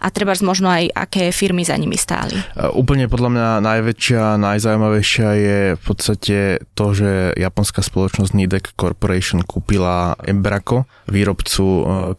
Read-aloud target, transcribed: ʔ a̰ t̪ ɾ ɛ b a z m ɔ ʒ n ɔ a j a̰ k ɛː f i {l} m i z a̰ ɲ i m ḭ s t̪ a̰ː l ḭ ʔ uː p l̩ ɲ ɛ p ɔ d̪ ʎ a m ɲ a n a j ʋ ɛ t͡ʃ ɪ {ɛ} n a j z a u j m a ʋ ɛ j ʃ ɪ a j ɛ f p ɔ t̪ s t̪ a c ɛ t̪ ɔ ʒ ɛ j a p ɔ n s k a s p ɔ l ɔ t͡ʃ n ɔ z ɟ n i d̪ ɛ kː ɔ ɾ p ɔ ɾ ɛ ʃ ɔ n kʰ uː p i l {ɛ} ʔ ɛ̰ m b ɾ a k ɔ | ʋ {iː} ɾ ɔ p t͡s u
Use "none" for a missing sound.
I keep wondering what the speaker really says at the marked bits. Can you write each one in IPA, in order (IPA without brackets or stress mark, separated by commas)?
ɾ, a, a, iː